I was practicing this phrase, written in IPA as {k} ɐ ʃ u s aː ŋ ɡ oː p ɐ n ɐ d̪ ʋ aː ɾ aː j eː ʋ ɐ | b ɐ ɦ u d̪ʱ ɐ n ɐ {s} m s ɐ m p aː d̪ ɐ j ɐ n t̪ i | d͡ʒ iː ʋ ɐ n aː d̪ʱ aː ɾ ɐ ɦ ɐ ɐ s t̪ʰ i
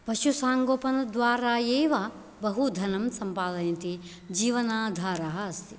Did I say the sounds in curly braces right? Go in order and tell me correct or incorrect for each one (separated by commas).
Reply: incorrect, incorrect